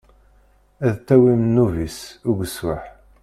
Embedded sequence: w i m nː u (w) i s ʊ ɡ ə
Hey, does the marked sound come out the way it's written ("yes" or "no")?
no